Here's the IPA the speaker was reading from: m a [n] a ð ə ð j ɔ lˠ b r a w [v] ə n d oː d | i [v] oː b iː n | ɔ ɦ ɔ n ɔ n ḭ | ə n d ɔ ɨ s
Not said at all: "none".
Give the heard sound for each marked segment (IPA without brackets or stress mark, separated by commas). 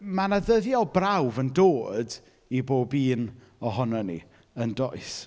n, v, b